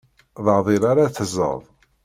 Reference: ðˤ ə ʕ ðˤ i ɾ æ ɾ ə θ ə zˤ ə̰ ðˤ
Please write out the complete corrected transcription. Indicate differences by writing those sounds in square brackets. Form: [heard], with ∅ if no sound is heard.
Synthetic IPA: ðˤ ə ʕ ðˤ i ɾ [a] ɾ [a] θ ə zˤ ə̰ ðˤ